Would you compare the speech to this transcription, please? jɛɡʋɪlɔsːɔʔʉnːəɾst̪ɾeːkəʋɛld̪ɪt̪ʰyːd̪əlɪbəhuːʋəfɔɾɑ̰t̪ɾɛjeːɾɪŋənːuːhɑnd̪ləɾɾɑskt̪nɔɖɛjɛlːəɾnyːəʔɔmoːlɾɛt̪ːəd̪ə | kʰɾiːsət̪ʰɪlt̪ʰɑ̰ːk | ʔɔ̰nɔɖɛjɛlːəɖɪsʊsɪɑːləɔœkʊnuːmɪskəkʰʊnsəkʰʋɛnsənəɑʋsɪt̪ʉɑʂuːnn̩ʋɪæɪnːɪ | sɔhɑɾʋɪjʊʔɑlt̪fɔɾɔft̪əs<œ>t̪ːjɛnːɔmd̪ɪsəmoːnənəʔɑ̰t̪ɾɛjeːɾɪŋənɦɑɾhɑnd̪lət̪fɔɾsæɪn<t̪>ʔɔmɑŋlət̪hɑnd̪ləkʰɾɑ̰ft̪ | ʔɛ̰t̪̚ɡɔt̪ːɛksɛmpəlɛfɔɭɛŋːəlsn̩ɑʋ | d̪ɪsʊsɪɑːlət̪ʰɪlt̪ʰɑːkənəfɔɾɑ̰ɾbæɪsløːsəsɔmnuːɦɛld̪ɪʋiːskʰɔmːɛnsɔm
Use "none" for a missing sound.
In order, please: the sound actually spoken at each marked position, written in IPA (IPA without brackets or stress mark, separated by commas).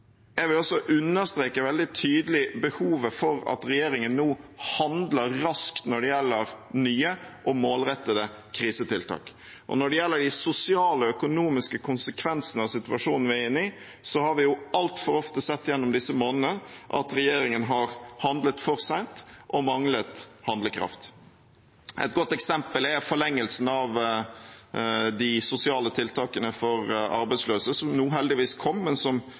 ɛ, t̪